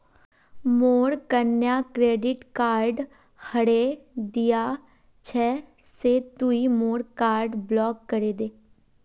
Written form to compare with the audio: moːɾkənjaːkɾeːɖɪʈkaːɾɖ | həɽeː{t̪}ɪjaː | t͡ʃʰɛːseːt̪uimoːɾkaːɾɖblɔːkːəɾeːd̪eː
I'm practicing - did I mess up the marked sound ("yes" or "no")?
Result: yes